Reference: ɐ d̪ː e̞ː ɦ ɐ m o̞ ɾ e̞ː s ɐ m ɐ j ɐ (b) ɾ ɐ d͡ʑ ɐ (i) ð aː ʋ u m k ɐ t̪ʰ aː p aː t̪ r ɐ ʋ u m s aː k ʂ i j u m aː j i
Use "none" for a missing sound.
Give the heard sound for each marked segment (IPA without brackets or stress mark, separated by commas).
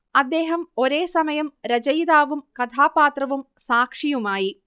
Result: m, j